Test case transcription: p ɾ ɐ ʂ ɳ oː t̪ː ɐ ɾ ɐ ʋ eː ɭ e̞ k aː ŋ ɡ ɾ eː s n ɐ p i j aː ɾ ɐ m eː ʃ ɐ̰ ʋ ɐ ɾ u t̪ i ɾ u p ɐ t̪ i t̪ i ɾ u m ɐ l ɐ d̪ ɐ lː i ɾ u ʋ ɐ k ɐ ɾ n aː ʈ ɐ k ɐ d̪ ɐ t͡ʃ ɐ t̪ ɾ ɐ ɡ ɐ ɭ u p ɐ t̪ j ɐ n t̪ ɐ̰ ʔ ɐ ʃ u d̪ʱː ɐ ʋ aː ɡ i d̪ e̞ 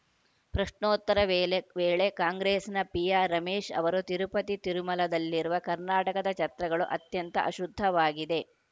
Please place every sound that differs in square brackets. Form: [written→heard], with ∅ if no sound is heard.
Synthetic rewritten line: p ɾ ɐ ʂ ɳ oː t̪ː ɐ ɾ ɐ ʋ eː ɭ e̞ k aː ŋ ɡ ɾ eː s n ɐ p i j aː ɾ ɐ m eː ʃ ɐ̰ ʋ ɐ ɾ u t̪ i ɾ u p ɐ t̪ i t̪ i ɾ u m ɐ l ɐ d̪ ɐ lː i ɾ u ʋ ɐ k ɐ ɾ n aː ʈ ɐ k ɐ d̪ ɐ t͡ʃ ɐ t̪ ɾ ɐ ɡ ɐ ɭ u [p→ʔ] ɐ t̪ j ɐ n t̪ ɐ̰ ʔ ɐ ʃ u d̪ʱː ɐ ʋ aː ɡ i d̪ e̞